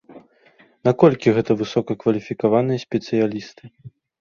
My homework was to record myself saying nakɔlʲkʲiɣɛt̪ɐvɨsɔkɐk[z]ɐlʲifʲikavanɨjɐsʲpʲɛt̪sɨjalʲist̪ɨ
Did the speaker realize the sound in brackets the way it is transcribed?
no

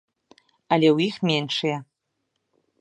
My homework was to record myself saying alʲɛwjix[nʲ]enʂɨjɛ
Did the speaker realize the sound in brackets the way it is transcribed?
no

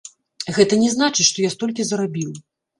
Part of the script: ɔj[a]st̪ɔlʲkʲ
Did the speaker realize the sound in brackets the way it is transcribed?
yes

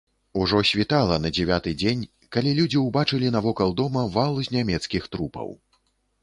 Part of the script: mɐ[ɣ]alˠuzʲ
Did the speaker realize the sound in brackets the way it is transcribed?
no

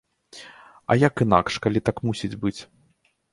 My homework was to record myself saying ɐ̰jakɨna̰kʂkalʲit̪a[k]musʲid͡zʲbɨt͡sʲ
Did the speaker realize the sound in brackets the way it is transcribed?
yes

